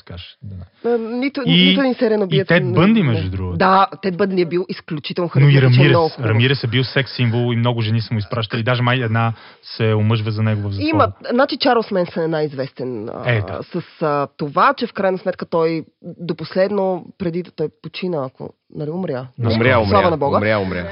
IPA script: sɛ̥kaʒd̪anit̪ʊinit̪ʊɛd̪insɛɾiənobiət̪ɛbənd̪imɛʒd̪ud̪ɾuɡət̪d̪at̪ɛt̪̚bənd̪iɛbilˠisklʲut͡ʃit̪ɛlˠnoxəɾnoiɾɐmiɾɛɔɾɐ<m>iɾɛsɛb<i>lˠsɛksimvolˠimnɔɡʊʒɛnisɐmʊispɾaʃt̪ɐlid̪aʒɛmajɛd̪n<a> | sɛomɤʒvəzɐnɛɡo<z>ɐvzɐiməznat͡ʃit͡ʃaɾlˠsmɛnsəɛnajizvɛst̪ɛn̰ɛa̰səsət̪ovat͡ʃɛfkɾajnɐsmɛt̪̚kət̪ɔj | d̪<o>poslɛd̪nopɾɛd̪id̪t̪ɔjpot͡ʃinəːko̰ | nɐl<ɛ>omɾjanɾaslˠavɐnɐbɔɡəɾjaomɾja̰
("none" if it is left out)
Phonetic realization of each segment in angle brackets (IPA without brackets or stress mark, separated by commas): m, i, a, v, o, i